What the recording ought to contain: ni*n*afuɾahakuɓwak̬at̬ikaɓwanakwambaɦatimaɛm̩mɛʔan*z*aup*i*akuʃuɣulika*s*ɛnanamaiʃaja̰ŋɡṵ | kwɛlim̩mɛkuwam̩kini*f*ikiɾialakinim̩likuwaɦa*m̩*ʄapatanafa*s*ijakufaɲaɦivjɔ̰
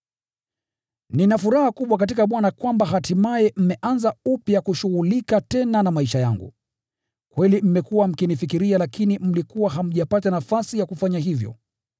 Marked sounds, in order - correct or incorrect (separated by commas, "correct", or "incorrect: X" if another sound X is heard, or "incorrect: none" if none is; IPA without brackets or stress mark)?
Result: correct, correct, incorrect: j, incorrect: t, correct, correct, correct